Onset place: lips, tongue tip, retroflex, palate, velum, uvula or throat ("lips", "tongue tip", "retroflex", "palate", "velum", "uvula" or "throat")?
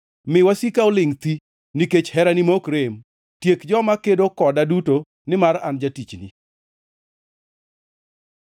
lips